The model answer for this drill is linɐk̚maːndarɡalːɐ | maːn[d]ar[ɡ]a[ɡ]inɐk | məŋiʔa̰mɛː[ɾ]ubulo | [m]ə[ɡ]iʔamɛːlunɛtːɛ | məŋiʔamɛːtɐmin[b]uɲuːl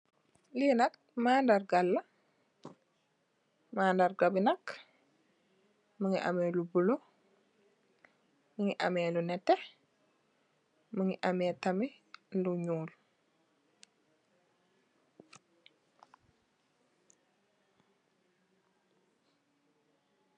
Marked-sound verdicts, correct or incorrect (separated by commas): correct, correct, incorrect, incorrect, correct, incorrect, incorrect